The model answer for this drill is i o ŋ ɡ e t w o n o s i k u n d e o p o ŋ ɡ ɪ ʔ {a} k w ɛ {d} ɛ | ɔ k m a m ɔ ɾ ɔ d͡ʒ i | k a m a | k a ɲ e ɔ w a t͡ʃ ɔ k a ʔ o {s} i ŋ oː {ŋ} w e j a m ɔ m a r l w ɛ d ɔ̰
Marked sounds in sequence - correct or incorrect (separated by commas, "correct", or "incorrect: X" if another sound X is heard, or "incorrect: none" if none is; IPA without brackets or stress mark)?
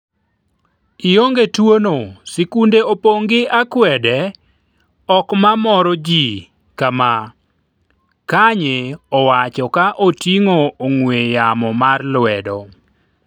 correct, correct, incorrect: t, correct